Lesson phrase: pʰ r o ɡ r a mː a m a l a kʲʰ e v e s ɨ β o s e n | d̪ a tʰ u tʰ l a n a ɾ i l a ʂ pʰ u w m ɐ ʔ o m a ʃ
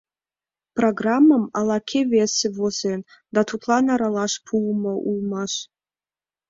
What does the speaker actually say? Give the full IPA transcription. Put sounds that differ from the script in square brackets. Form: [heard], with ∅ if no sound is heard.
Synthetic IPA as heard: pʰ r o ɡ r a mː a m a l a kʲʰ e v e s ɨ [v] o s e n | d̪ a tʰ u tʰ l a n a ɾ [a] l a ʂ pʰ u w m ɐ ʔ [u] m a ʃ

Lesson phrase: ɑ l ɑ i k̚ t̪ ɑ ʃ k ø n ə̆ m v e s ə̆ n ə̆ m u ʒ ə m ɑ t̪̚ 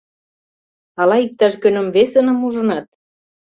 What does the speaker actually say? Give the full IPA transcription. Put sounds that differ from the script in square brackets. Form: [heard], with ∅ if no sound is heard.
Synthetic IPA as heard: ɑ l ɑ i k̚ t̪ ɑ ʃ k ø n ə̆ m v e s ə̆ n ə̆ m u ʒ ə [n] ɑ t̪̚

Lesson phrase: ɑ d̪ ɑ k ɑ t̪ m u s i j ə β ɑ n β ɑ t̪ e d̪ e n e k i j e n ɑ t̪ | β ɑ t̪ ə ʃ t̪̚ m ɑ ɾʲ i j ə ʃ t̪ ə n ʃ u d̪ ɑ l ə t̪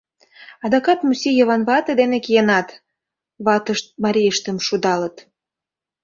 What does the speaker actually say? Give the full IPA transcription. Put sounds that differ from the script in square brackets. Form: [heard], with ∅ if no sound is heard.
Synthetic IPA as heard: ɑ d̪ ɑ k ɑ t̪ m u s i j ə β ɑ n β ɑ t̪ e d̪ e n e k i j e n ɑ t̪ | β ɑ t̪ ə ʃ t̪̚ m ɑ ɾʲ i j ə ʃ t̪ ə [m] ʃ u d̪ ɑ l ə t̪

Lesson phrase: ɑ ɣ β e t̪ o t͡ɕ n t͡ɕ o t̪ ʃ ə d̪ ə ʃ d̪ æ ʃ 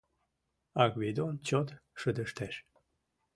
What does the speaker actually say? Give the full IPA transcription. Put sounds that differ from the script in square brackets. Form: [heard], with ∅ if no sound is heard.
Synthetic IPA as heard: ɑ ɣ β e [d̪] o [∅] n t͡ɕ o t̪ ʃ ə d̪ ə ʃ [t̪] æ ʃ

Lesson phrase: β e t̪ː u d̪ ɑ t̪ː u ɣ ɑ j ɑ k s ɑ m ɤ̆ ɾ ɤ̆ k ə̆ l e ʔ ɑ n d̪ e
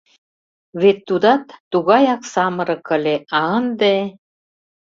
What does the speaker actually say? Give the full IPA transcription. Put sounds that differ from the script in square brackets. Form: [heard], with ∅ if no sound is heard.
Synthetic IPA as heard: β e t̪ː u d̪ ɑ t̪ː u ɣ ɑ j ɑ k s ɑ m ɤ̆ ɾ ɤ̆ k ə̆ l e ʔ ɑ n d̪ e

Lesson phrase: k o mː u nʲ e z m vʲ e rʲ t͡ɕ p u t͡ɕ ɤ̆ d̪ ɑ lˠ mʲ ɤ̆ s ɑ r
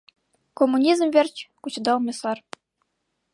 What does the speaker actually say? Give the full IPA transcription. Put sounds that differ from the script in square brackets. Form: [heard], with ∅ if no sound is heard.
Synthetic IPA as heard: k o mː u nʲ [i] z m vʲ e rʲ t͡ɕ [k] u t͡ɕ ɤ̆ d̪ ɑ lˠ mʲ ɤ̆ s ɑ r

